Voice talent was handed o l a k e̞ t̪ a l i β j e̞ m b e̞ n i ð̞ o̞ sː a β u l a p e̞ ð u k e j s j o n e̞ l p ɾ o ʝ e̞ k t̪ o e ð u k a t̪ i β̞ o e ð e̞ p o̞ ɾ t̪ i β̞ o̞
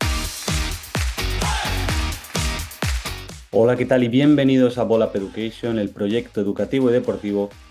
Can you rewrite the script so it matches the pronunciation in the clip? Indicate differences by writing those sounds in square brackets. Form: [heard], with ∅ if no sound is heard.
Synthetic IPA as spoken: o l a k e̞ t̪ a l i β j e̞ m b e̞ n i ð̞ o̞ [s] a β [o] l a p e̞ ð u k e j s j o n e̞ l p ɾ o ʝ e̞ k t̪ o e ð u k a t̪ i β̞ o [i] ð e̞ p o̞ ɾ t̪ i β̞ o̞